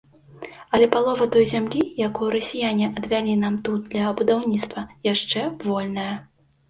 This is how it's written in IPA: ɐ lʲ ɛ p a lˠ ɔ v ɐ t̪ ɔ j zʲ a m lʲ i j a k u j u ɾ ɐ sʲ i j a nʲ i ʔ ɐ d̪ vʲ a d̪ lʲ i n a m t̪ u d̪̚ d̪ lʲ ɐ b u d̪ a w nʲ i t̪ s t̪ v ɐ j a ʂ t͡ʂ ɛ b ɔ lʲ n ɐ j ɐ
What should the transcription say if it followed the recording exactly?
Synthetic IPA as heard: ɐ lʲ ɛ p a lˠ ɔ v ɐ t̪ ɔ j zʲ a m lʲ i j a k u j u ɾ ɐ sʲ i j a nʲ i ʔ ɐ d̪ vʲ a lʲ i n a m t̪ u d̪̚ d̪ lʲ ɐ b u d̪ a w nʲ i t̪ s t̪ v ɐ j a ʂ t͡ʂ ɛ v ɔ lʲ n ɐ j ɐ